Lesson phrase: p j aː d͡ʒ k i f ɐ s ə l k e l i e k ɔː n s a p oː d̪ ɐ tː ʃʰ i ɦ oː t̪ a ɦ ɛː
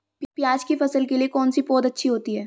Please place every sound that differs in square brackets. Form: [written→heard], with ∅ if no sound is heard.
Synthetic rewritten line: p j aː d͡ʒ k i f ɐ s ə l k e l i e k ɔː n s [a→i] p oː d̪ ɐ tː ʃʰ i ɦ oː t̪ [a→i] ɦ ɛː